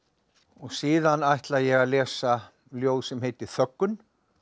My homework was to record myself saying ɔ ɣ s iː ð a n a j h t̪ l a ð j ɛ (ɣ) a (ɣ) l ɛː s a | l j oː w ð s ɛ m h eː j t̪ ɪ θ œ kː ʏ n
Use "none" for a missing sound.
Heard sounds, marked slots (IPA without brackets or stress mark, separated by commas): ɣ, ð